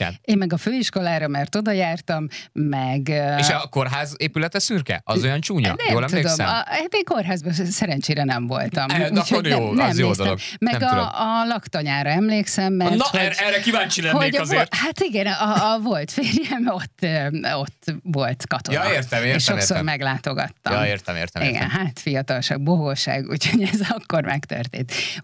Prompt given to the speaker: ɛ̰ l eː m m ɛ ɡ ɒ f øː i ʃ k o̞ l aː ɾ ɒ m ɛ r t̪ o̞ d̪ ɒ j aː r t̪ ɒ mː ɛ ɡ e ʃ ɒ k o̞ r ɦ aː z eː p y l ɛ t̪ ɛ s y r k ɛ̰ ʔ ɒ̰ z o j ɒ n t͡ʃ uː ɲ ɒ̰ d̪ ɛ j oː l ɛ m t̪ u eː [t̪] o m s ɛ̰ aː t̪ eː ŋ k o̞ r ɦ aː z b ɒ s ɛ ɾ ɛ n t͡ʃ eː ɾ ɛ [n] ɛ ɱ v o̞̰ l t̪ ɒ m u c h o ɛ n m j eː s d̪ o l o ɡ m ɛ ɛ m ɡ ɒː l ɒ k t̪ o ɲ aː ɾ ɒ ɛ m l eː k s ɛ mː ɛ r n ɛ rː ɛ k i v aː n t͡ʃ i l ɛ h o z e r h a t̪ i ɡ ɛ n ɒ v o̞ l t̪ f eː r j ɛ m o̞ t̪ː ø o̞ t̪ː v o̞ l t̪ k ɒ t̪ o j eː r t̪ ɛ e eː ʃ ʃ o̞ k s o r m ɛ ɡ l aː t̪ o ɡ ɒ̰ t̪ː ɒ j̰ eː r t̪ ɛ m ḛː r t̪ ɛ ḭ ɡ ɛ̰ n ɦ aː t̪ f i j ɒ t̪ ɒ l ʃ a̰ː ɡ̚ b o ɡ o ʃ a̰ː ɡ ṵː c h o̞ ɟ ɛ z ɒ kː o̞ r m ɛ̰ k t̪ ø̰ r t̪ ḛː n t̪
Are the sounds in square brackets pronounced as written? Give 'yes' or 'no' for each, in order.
no, yes

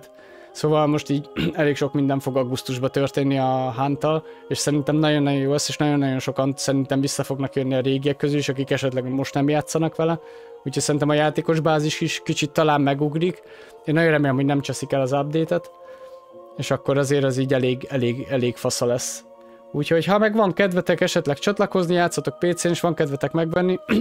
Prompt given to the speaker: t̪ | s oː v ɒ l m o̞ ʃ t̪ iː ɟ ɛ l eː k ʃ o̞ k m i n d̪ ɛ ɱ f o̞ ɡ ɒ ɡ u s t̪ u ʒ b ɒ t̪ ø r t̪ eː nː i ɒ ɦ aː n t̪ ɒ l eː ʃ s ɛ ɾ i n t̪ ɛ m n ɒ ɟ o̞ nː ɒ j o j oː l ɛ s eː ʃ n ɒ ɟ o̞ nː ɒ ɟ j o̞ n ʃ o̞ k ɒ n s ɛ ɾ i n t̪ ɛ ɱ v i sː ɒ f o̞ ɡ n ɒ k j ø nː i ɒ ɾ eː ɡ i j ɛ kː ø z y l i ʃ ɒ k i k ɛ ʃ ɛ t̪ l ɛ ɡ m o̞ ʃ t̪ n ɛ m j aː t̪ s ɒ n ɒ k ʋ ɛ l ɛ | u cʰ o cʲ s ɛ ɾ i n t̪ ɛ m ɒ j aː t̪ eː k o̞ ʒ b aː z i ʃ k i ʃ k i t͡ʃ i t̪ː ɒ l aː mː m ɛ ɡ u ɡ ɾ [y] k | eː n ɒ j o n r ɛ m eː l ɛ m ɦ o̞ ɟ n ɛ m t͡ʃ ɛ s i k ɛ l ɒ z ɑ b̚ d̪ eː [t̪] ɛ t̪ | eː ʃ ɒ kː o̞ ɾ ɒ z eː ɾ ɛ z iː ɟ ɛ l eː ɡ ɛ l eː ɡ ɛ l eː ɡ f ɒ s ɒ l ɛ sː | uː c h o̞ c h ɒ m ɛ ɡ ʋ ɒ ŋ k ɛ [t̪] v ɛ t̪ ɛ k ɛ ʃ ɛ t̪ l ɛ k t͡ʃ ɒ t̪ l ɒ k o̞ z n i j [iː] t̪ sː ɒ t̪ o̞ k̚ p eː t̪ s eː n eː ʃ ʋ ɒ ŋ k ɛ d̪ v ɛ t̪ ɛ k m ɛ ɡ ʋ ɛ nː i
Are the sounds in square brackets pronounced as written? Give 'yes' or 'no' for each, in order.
no, yes, no, no

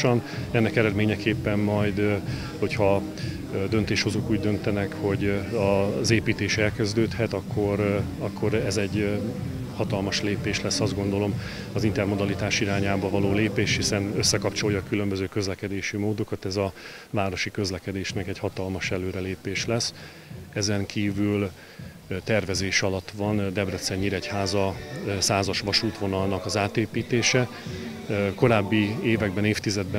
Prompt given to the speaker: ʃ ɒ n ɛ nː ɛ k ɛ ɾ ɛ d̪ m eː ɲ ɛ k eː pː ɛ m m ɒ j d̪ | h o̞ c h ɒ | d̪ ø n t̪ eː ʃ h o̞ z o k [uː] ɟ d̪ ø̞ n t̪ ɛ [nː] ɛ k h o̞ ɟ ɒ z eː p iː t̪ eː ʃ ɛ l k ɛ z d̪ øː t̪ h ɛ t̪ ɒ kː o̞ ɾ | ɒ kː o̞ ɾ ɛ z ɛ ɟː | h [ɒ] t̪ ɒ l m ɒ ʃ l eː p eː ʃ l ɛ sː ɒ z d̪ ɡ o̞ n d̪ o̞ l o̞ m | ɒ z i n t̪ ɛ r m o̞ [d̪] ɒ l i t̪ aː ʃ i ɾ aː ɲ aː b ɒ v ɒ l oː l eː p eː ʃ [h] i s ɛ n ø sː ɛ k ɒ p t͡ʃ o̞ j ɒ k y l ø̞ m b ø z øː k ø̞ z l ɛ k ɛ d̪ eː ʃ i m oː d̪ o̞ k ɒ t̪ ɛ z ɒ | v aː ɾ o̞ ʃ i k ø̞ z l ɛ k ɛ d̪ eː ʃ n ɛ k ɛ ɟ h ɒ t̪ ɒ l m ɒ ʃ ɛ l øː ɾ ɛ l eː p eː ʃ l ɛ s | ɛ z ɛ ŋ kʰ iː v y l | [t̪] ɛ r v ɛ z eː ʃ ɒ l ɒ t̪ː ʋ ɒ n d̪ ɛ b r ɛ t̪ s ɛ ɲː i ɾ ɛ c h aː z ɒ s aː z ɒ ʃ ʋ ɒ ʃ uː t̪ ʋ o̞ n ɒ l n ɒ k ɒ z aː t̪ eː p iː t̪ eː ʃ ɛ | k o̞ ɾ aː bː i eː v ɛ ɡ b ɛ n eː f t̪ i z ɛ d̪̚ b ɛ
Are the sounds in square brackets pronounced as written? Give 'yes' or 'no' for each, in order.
yes, no, yes, yes, yes, yes

